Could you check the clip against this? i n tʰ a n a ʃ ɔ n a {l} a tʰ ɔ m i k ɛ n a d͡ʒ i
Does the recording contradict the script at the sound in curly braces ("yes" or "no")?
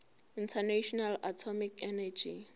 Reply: no